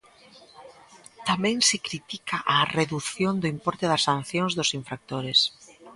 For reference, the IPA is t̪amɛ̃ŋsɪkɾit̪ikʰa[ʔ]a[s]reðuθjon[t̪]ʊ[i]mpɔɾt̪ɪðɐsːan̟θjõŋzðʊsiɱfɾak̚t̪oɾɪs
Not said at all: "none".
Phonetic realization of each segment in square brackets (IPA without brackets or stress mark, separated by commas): ʔ, none, d̪, i